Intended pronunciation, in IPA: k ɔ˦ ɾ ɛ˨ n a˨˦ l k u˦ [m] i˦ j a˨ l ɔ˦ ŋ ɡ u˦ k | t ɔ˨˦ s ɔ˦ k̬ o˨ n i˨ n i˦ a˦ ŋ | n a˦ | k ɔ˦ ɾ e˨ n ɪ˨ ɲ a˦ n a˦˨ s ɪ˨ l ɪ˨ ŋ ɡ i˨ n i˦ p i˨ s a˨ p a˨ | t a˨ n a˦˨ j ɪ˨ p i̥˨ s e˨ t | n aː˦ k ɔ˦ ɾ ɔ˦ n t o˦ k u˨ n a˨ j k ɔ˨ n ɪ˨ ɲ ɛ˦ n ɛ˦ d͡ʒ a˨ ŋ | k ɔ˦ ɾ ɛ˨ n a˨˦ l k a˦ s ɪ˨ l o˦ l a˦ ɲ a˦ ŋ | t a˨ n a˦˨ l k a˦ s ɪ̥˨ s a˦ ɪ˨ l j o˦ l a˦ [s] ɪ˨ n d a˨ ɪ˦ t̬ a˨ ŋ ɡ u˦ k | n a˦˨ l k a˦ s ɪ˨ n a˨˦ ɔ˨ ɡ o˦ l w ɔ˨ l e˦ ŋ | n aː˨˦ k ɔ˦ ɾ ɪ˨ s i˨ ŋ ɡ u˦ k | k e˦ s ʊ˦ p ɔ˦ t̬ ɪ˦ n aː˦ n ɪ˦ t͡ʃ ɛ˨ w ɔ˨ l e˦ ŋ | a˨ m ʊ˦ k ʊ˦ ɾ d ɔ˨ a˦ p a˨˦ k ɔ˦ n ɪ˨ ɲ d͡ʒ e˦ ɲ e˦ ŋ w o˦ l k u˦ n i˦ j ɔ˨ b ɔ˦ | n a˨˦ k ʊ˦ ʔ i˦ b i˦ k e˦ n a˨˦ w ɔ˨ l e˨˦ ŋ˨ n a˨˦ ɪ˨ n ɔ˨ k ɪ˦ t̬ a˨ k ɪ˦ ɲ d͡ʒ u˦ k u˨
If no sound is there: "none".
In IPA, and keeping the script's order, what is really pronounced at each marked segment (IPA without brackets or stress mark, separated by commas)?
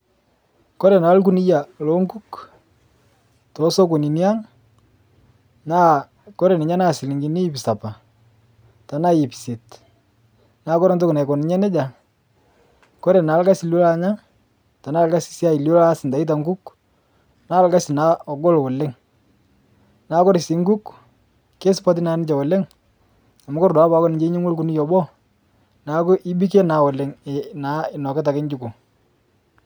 n, s